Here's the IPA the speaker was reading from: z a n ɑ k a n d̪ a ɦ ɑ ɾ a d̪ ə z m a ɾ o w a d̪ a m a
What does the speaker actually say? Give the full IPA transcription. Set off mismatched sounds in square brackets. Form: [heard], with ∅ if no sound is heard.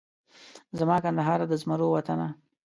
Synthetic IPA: z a [m] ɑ k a n d̪ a ɦ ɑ ɾ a d̪ ə z m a ɾ o w a [t̪] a [n] a